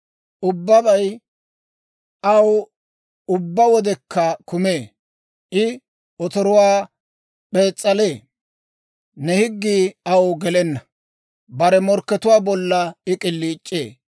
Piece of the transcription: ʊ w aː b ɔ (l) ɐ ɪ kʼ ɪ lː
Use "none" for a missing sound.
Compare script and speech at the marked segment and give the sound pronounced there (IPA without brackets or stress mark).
lː